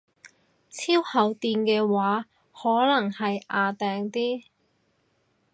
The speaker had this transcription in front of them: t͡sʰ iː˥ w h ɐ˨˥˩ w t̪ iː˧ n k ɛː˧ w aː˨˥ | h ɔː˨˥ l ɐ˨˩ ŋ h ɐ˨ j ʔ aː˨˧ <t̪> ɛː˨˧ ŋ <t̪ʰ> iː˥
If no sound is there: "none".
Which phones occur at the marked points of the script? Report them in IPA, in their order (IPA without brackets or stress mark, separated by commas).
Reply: t̪, t̪